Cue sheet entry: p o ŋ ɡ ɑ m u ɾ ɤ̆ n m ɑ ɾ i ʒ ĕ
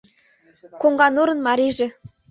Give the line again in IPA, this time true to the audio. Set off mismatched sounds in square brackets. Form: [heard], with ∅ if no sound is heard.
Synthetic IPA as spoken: [k] o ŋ ɡ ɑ [n] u ɾ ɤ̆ n m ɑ ɾ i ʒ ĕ